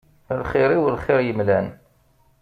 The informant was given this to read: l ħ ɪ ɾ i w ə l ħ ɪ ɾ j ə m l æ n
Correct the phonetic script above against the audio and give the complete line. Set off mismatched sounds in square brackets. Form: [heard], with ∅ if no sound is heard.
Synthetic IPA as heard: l [χ] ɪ ɾ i w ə l [χ] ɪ ɾ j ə m l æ n